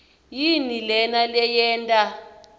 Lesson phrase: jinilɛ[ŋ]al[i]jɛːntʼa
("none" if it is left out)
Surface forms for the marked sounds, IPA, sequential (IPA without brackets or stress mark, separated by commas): n, ɛ